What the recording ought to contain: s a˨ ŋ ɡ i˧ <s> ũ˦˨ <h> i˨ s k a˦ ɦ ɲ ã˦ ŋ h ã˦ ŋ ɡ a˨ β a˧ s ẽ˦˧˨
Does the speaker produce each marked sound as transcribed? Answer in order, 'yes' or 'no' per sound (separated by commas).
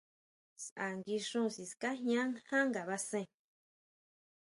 no, no